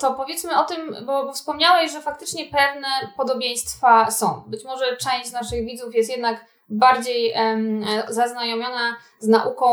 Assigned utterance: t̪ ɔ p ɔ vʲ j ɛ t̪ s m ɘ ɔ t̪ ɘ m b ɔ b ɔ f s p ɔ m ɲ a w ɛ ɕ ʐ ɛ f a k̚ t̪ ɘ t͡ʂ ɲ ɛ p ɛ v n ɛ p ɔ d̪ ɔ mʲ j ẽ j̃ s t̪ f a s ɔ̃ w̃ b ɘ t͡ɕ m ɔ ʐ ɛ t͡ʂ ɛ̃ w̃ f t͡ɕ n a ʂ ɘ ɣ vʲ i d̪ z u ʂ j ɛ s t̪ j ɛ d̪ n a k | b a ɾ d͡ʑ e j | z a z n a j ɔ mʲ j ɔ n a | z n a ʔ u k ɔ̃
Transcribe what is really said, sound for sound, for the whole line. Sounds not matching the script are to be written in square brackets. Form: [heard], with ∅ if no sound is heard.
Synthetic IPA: t̪ ɔ p ɔ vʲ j ɛ t̪ s m ɘ ɔ t̪ ɘ m b ɔ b ɔ f s p ɔ m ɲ a w ɛ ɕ ʐ ɛ f a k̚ t̪ ɘ t͡ʂ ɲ ɛ p ɛ v n ɛ p ɔ d̪ ɔ [bʲ] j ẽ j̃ s t̪ f a s ɔ̃ w̃ b ɘ t͡ɕ m ɔ ʐ ɛ t͡ʂ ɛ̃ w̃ [ɕ] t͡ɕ n a ʂ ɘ ɣ vʲ i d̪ z u [f] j ɛ s t̪ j ɛ d̪ n a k | b a ɾ d͡ʑ e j | z a z n a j ɔ mʲ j ɔ n a | z n a ʔ u k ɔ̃